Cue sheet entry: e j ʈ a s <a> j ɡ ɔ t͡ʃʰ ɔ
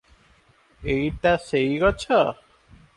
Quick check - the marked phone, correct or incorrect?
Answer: incorrect